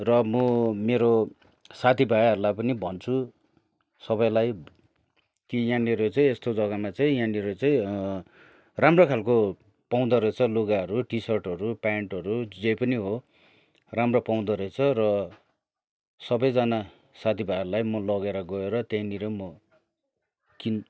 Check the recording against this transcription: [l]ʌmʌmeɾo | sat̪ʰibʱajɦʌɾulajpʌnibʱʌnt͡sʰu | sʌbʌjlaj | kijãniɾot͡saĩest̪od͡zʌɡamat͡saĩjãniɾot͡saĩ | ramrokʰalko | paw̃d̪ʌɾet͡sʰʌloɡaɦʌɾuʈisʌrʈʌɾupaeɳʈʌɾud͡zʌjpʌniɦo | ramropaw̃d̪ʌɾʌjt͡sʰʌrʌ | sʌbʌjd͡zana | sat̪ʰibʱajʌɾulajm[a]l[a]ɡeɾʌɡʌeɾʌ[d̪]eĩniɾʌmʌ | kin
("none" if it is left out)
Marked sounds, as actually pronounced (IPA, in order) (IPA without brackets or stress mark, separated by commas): r, ʌ, ʌ, t̪